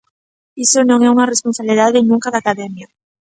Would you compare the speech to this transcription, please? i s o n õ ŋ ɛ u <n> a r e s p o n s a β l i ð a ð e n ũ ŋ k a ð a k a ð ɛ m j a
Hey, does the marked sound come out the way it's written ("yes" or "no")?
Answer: no